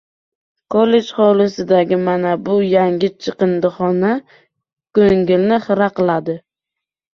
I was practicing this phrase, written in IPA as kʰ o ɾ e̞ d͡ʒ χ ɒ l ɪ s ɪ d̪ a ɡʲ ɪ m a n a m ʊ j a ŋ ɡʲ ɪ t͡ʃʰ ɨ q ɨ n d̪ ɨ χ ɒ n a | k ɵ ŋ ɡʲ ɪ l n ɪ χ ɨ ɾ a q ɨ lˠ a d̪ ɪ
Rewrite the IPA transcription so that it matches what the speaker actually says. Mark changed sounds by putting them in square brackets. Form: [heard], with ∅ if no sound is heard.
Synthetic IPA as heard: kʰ o [l] e̞ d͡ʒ χ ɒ l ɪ s ɪ d̪ a ɡʲ ɪ m a n a [b] ʊ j a ŋ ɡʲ ɪ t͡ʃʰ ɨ q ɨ n d̪ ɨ χ ɒ n a | k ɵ ŋ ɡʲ ɪ l n ɪ χ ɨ ɾ a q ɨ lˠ a d̪ ɪ

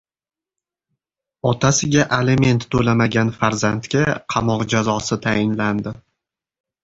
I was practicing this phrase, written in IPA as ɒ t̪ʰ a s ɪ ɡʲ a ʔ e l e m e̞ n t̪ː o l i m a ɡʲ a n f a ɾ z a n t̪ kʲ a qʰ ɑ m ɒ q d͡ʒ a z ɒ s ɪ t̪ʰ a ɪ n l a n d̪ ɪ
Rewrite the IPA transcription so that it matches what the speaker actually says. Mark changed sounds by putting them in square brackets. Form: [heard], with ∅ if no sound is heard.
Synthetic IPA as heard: ɒ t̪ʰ a s ɪ ɡʲ a ʔ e l e m e̞ n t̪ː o l [a] m a ɡʲ a n f a ɾ z a n t̪ kʲ a qʰ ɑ m ɒ q d͡ʒ a z ɒ s ɪ t̪ʰ a ɪ n l a n d̪ ɪ

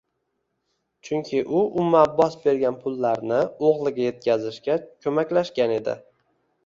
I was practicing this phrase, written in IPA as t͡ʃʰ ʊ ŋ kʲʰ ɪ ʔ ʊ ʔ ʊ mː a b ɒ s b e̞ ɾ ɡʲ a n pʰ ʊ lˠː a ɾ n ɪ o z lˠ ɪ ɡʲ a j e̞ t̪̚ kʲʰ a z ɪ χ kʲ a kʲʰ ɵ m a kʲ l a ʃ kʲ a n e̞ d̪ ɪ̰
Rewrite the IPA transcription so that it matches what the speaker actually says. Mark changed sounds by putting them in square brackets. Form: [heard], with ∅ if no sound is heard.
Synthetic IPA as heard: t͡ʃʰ ʊ ŋ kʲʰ ɪ ʔ ʊ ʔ ʊ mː a b ɒ s b e̞ ɾ ɡʲ a n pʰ ʊ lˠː a ɾ n ɪ o [ʁ] lˠ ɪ ɡʲ a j e̞ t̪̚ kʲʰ a z ɪ [ʃ] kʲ a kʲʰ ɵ m a kʲ l a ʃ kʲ a n e̞ d̪ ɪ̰

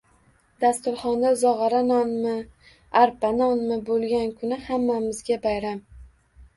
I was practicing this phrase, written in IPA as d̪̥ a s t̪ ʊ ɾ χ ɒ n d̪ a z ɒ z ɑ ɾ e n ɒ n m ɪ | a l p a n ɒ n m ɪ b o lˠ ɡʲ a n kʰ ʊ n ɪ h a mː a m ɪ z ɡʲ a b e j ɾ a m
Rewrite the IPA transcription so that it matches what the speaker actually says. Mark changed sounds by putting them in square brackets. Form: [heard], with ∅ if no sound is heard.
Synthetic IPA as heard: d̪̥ a s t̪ ʊ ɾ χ ɒ n d̪ a z ɒ [ʁ] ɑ ɾ [a] n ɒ n m ɪ | a [ɾ] p a n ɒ n m ɪ b o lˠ ɡʲ a n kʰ ʊ n ɪ h a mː a m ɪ z ɡʲ a b [a] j ɾ a m

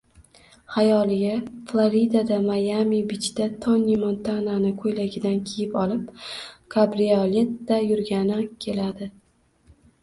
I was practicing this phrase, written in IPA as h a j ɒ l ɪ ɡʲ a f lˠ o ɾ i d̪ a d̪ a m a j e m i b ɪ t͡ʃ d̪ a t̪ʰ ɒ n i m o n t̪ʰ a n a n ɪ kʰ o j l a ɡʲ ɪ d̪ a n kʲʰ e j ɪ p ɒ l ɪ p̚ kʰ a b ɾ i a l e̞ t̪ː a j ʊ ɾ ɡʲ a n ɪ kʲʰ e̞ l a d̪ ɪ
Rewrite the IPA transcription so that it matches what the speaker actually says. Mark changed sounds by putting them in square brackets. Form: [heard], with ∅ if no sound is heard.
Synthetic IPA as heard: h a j ɒ l ɪ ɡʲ a f lˠ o ɾ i d̪ a d̪ a m a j [a] m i b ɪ t͡ʃ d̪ a t̪ʰ ɒ n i m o n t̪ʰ a n a n ɪ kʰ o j l a ɡʲ ɪ d̪ a n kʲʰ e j ɪ p ɒ l ɪ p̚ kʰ a b ɾ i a l e̞ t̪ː a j ʊ ɾ ɡʲ a n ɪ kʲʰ e̞ l a d̪ ɪ

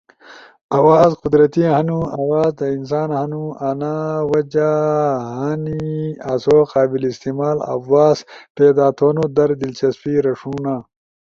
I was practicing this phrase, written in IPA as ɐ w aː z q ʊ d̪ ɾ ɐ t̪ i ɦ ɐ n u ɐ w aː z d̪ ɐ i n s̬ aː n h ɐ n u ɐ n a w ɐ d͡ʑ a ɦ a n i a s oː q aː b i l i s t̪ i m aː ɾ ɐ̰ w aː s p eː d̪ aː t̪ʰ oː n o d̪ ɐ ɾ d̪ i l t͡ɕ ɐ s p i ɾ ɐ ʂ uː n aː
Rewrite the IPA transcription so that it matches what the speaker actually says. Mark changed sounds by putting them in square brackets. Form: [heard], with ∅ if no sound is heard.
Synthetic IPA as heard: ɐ w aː z q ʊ d̪ ɾ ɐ t̪ i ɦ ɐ n u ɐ w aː z d̪ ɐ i n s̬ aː n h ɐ n u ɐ n a w ɐ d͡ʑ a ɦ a n i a s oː q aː b i l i s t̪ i m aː [l] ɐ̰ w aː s p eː d̪ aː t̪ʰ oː n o d̪ ɐ ɾ d̪ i l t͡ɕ ɐ s p i ɾ ɐ ʂ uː n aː

